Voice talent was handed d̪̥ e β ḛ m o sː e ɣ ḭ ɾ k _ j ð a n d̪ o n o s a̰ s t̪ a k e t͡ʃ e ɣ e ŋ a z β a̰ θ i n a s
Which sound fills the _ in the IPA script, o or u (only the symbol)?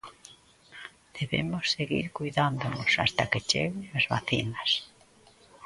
u